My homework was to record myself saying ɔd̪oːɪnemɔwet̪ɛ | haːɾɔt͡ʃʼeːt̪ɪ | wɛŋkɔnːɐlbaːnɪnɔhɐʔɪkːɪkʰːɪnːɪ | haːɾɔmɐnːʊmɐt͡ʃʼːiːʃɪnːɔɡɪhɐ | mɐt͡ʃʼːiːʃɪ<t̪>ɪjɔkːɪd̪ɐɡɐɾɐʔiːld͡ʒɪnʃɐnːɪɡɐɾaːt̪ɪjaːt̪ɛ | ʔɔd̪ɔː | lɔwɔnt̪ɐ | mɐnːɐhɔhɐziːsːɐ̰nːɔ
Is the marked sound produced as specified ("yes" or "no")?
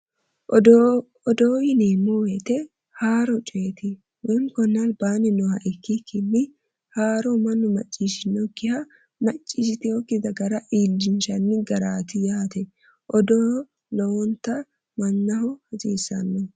yes